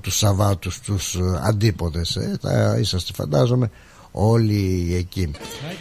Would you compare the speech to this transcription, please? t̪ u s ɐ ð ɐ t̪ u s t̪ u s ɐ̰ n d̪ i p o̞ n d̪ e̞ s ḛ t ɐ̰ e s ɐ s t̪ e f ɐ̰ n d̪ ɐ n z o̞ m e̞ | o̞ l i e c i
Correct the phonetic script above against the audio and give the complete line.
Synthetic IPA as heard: t̪ u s ɐ v ɐ t̪ u s t̪ u s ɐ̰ n d̪ i p o̞ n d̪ e̞ s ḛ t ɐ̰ i s ɐ s t̪ e f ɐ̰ n d̪ ɐ z o̞ m e̞ | o̞ l i e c i